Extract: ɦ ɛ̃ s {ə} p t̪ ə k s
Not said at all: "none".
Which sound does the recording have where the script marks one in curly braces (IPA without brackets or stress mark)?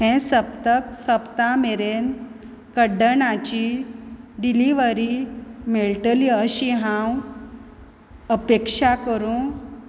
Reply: ə